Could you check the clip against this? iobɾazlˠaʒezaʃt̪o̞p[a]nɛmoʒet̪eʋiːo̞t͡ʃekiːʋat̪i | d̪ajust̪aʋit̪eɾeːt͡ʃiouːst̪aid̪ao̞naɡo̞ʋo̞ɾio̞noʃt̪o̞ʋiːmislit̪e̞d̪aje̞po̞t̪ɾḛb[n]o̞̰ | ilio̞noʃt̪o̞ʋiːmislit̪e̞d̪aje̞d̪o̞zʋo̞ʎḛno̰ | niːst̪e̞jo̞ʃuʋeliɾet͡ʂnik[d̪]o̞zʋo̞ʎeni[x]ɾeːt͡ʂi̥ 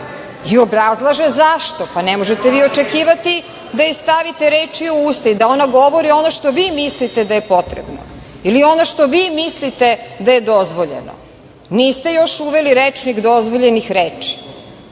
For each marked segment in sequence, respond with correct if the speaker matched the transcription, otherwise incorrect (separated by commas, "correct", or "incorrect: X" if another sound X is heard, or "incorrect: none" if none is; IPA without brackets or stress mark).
correct, correct, correct, correct